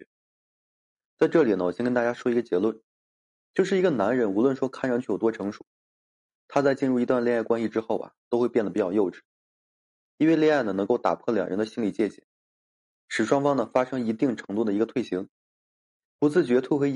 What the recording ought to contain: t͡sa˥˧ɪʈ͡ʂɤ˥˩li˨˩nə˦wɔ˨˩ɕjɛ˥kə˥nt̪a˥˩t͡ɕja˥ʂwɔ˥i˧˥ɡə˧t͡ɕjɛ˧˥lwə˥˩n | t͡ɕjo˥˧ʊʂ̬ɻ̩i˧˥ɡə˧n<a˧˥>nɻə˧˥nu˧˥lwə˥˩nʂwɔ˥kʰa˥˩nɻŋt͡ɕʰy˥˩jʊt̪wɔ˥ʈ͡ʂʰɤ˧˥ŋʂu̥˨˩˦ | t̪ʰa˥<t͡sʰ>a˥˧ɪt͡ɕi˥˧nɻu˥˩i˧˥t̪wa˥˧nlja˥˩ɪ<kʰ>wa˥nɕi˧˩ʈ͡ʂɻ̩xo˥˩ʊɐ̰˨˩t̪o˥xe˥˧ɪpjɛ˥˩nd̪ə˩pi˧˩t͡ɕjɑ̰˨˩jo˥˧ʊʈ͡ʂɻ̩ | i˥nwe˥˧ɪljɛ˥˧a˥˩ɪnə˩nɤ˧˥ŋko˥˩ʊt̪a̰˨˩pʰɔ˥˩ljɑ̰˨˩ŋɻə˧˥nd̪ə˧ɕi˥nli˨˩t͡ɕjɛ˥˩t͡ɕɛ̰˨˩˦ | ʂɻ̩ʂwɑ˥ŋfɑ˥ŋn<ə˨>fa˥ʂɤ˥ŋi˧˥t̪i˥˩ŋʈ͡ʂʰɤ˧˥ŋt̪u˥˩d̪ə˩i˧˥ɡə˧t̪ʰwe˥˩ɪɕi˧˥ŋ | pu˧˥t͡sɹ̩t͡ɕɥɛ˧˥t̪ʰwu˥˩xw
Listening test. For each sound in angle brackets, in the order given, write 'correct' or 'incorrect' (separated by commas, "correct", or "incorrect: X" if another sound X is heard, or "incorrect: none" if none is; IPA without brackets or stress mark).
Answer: correct, incorrect: t͡s, incorrect: k, correct